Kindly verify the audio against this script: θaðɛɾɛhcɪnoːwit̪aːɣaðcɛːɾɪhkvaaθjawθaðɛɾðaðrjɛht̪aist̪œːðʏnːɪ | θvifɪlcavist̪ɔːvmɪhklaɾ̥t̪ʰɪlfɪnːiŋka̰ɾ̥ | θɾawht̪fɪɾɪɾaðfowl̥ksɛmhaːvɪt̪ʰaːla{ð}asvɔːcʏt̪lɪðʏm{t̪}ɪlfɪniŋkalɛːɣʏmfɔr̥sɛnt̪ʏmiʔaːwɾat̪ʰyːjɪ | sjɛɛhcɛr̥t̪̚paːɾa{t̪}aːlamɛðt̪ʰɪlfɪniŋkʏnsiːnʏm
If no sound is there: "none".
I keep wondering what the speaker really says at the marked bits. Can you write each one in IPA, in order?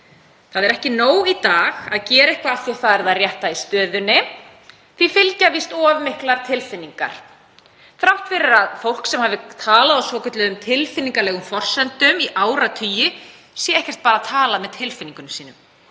ð, t̪ʰ, t̪ʰ

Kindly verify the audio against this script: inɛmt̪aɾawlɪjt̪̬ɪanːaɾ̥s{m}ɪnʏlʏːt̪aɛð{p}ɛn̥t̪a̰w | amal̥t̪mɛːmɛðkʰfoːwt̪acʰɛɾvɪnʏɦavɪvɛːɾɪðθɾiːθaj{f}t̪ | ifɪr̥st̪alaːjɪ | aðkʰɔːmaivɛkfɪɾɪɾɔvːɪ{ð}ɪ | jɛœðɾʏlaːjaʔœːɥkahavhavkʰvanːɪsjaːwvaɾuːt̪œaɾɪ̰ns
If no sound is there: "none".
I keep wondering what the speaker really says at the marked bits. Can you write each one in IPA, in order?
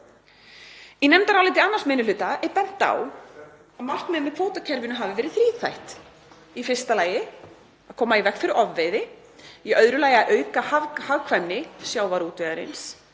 m, p, h, ð

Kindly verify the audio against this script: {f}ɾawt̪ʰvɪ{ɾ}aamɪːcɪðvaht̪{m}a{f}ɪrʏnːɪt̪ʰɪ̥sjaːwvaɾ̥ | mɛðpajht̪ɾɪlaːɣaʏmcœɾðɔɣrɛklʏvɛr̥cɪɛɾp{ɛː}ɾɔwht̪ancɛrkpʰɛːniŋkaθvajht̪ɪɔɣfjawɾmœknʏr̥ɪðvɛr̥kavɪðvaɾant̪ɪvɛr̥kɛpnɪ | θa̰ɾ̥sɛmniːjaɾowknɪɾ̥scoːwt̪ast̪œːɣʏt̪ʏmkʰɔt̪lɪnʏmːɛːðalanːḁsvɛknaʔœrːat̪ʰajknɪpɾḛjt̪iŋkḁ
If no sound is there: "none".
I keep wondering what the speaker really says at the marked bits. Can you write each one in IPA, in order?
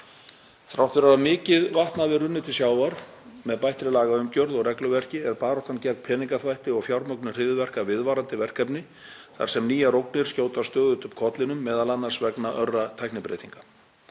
θ, ɾ, n, v, aː

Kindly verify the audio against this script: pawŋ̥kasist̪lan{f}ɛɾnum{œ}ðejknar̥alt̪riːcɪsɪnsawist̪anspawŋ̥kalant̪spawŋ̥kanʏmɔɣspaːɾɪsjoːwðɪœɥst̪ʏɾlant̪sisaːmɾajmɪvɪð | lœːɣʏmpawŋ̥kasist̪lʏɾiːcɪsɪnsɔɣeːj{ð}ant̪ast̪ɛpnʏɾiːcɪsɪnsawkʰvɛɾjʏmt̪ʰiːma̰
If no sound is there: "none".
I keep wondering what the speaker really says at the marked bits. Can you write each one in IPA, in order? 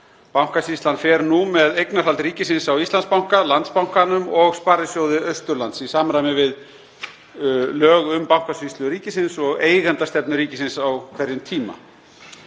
f, ɛ, ɣ

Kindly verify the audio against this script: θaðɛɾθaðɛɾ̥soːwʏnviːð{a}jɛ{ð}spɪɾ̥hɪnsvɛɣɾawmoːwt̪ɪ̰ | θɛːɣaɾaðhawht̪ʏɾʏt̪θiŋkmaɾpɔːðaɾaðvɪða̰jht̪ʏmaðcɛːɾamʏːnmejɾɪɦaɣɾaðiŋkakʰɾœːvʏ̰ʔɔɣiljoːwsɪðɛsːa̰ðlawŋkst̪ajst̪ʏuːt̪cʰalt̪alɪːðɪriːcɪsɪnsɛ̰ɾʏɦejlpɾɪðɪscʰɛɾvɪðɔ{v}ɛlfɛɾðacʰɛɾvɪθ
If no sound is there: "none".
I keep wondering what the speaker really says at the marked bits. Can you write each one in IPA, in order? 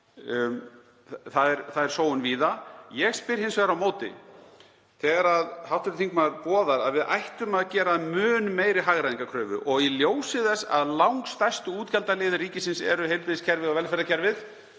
a, ɣ, v

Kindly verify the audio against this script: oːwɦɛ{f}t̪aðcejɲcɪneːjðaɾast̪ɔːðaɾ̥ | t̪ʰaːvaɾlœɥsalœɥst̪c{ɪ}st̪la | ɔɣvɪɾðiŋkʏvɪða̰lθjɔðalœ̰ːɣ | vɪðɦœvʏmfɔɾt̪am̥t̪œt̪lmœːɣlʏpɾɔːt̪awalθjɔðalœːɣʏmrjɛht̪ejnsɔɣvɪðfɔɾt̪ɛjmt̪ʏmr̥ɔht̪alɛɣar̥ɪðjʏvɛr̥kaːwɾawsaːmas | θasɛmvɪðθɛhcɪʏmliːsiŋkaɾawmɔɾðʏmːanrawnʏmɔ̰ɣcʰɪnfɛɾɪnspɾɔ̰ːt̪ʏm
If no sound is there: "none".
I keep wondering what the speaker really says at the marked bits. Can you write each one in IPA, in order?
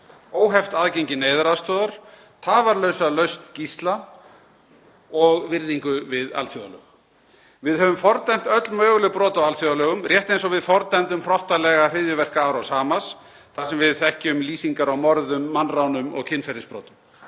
f, i

